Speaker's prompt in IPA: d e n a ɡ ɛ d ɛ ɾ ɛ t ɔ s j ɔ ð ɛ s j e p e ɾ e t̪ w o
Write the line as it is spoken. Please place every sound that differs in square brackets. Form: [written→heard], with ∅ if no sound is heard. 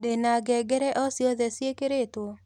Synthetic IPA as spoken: d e n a ɡ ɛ [d→ɡ] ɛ ɾ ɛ [t→ʔ] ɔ s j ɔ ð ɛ s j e [p→k] e ɾ e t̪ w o